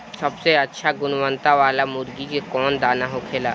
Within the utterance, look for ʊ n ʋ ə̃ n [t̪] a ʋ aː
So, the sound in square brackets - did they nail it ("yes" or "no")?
yes